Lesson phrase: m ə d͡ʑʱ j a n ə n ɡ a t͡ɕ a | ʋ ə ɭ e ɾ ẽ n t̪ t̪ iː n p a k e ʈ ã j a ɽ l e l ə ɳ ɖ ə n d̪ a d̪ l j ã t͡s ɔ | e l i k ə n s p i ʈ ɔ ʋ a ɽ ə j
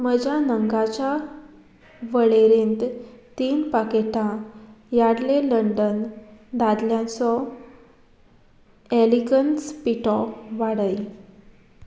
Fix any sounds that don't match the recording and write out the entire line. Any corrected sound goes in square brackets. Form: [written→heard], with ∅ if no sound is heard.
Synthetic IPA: m ə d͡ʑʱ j a n ə [n→ŋ] ɡ a t͡ɕ a | ʋ ə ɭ e ɾ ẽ n t̪ t̪ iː n p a k e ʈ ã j a ɽ l e l ə ɳ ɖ ə n d̪ a d̪ l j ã t͡s ɔ | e l i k ə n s p i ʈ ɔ ʋ a ɽ ə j